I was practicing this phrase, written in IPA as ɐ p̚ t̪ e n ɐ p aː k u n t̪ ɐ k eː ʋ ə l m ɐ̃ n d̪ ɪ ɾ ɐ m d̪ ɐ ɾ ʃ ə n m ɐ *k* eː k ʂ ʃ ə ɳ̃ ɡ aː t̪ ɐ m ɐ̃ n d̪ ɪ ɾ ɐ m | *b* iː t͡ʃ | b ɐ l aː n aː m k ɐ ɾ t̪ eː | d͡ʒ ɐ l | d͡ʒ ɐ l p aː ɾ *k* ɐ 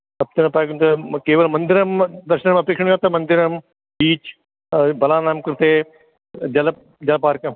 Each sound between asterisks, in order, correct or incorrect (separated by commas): incorrect, correct, correct